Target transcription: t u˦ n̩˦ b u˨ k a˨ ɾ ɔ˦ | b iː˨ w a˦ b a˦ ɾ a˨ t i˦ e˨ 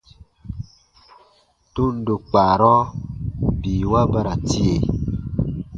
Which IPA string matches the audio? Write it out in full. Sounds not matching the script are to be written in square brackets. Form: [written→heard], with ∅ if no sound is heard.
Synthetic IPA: t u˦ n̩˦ [b→d] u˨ [k→k͡p] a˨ ɾ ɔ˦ | b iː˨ w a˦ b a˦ ɾ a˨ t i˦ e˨